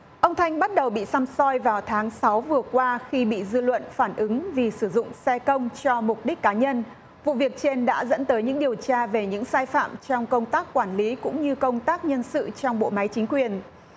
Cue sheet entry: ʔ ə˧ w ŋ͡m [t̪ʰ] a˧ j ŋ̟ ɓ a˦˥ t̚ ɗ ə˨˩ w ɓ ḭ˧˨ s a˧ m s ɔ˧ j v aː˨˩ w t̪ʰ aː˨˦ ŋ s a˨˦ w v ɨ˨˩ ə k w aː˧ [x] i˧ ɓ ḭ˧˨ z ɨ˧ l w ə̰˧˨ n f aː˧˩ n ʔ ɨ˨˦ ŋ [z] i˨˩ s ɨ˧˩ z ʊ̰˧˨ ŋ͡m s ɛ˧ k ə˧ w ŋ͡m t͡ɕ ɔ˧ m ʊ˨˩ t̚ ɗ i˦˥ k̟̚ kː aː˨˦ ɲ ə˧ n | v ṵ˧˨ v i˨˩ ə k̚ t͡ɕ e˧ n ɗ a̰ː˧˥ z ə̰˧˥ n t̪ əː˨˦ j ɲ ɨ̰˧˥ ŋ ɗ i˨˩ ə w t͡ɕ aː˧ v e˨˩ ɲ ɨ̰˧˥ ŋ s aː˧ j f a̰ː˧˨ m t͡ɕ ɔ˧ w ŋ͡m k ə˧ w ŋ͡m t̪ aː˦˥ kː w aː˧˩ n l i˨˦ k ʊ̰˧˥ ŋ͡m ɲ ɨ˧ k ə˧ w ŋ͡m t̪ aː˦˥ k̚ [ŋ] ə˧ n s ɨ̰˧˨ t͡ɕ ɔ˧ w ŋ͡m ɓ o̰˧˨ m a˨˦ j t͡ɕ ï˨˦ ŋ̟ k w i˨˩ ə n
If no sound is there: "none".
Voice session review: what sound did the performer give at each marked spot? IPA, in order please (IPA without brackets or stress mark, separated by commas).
t̪ʰ, x, v, ɲ